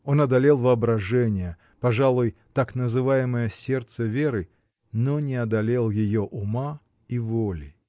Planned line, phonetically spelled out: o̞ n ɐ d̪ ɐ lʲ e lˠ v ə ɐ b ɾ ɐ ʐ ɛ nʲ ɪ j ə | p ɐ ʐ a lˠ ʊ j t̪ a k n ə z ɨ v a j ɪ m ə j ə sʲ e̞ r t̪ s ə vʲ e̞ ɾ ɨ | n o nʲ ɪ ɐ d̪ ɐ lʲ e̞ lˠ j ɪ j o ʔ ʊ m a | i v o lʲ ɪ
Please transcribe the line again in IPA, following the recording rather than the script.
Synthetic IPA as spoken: o̞ n ɐ d̪ ɐ lʲ e lˠ v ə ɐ b ɾ ɐ ʐ ɛ nʲ ɪ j ə | p ɐ ʐ a lˠ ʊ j t̪ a k n ə z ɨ v a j ɪ m ə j ə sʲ e̞ r t̪ s ə vʲ e̞ ɾ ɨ | n o nʲ ɪ ɐ d̪ ɐ lʲ e̞ lˠ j ɪ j o ʔ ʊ m a | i v o lʲ ɪ